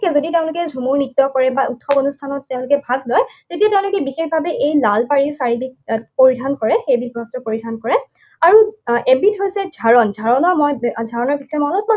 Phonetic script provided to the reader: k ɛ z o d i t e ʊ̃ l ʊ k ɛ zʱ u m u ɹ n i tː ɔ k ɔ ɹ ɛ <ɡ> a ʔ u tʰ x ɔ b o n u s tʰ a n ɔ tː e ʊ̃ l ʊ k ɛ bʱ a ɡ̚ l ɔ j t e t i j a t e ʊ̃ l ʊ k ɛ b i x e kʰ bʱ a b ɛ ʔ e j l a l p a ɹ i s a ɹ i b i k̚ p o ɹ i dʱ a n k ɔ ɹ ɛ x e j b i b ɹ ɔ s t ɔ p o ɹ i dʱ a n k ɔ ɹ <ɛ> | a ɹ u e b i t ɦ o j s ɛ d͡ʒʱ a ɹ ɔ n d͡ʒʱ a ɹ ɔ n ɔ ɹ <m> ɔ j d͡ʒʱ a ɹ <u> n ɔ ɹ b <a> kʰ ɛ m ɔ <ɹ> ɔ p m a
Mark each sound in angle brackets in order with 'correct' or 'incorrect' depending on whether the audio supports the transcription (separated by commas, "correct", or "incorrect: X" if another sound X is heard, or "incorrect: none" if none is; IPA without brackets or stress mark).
incorrect: b, correct, correct, incorrect: ɔ, incorrect: i, incorrect: l